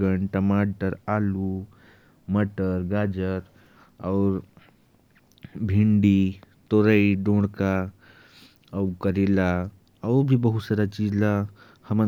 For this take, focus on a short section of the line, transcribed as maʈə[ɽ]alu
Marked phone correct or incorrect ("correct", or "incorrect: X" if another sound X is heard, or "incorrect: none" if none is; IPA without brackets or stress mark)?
incorrect: ɾ